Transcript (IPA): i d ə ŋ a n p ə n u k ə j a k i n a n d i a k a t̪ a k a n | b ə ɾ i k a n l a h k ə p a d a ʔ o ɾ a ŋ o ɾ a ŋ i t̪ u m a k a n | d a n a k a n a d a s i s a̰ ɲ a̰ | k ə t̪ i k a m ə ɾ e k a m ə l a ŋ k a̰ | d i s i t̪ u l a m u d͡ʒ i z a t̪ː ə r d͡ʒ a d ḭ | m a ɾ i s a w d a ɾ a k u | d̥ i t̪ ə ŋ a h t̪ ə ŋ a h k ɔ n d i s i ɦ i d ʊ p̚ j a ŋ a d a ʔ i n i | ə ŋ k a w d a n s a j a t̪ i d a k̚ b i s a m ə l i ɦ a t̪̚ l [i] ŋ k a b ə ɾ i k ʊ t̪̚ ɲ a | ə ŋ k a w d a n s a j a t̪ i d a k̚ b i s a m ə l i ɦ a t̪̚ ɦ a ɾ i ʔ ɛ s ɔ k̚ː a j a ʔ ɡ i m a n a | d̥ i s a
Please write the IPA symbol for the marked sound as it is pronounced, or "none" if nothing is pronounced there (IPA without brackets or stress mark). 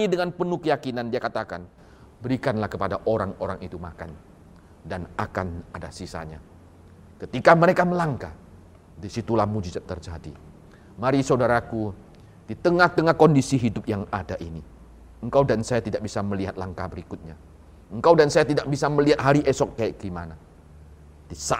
a